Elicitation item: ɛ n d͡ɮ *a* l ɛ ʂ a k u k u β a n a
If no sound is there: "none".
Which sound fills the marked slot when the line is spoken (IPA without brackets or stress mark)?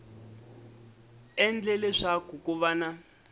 ɛ